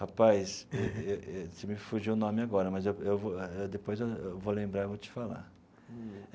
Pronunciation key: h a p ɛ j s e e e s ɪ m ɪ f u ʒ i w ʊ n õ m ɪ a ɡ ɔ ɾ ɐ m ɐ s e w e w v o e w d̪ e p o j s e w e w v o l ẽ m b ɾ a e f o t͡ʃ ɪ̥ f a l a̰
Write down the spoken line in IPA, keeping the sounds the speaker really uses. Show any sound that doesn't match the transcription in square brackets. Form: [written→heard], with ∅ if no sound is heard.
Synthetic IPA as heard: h a p [ɛ→a] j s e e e s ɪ m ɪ f u ʒ i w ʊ n õ m ɪ a ɡ ɔ ɾ ɐ m ɐ [s→z] e w e w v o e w d̪ e p o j [s→z] e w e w v o l ẽ m b ɾ a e [f→v] o t͡ʃ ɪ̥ f a l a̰

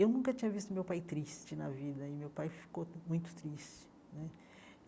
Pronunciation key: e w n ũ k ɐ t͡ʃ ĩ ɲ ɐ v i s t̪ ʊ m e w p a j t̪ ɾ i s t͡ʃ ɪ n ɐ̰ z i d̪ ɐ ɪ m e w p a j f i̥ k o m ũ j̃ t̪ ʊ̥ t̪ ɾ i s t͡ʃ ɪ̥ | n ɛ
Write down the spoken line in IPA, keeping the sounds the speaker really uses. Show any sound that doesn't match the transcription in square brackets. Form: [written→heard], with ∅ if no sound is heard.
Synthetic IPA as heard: e w n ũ k ɐ t͡ʃ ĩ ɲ ɐ v i s t̪ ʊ m e w p a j t̪ ɾ i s t͡ʃ ɪ n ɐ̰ [z→v] i d̪ ɐ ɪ m e w p a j f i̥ k o m ũ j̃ t̪ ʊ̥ t̪ ɾ i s t͡ʃ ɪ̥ | n ɛ

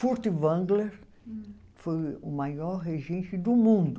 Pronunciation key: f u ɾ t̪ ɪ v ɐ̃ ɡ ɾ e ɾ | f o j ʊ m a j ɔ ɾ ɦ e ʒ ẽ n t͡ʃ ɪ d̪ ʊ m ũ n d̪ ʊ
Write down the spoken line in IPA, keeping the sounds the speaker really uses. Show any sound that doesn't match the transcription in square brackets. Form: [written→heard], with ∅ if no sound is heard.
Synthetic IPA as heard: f u ɾ t̪ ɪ v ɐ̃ ɡ [ɾ→l] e ɾ | f o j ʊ m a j ɔ ɾ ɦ e ʒ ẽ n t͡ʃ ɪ d̪ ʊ m ũ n d̪ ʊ

